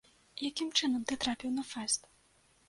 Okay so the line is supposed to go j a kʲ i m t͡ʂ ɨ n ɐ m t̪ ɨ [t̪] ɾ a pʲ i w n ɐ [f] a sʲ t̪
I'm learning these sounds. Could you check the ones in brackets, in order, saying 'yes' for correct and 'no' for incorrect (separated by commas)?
yes, yes